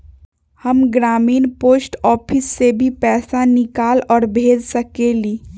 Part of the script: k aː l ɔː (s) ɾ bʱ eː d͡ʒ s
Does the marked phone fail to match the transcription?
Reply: yes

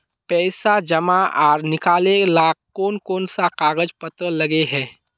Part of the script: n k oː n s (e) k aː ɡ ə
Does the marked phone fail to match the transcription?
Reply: yes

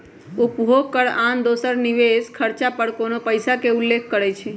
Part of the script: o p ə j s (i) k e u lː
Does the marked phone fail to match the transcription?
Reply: yes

